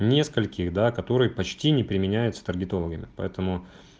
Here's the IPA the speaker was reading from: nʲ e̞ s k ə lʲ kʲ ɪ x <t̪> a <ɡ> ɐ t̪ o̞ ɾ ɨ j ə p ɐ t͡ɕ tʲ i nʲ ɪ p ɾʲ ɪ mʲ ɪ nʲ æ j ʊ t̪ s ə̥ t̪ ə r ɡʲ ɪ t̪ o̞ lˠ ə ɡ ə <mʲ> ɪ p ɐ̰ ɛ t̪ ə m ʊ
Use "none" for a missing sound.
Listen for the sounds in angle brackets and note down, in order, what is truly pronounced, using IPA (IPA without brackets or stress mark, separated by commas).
d̪, k, mʲ